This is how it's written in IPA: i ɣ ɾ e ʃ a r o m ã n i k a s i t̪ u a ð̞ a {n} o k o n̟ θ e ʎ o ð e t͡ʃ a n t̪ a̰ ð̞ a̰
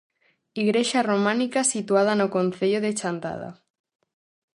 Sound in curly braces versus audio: correct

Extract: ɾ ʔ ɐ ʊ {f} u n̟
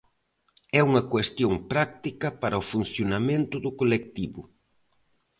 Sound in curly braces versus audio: correct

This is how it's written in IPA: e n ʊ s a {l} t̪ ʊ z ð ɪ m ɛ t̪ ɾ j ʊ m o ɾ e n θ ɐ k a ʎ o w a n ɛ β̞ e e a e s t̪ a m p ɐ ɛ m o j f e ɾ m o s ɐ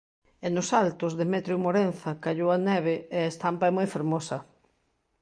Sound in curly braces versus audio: correct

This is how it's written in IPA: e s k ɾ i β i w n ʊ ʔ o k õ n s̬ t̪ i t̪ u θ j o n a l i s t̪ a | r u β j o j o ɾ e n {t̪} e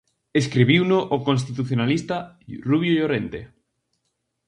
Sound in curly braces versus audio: correct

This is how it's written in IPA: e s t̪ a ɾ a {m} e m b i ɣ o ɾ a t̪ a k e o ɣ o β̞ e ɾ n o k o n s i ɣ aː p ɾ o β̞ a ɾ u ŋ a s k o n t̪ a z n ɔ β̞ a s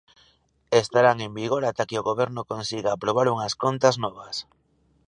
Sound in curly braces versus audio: incorrect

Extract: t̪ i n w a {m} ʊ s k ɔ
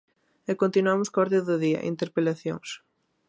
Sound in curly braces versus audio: correct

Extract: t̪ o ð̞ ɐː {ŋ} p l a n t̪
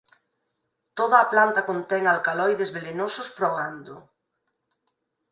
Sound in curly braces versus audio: incorrect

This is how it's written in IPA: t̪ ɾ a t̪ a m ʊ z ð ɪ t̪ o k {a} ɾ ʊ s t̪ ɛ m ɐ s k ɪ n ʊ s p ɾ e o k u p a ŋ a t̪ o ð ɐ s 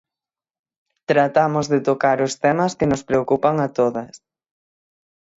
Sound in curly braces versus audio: correct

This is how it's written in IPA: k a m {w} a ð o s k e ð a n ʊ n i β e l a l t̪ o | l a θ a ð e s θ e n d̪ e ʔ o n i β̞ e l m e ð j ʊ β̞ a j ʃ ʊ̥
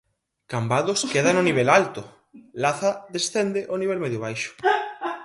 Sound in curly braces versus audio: incorrect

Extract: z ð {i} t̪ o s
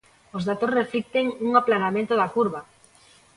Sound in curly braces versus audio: incorrect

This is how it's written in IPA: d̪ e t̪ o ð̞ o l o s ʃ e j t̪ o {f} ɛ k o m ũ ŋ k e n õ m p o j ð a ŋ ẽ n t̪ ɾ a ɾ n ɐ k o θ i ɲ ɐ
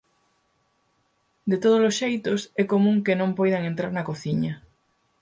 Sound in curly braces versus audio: incorrect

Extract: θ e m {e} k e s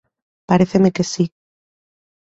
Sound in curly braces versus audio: correct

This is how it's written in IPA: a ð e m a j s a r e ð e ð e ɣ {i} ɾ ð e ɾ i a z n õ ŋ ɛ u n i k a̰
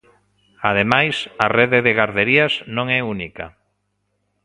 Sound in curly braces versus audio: incorrect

